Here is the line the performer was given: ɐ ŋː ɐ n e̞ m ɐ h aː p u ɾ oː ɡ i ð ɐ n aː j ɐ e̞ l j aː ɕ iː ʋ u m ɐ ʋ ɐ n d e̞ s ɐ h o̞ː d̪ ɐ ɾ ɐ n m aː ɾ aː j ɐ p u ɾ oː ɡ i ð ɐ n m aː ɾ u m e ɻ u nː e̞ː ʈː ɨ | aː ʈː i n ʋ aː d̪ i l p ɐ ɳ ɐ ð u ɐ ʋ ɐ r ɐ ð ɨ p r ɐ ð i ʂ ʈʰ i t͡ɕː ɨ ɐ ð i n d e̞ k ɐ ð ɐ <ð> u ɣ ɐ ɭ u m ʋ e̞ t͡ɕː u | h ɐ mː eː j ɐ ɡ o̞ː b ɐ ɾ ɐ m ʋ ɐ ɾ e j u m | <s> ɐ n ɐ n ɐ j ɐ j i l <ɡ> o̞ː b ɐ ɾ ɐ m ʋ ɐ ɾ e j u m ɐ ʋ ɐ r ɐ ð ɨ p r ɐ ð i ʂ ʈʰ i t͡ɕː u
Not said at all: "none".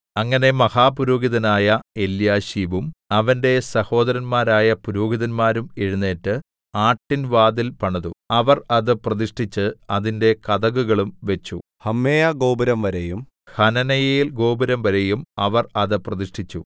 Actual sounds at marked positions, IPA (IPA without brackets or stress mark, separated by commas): ɣ, h, ɡ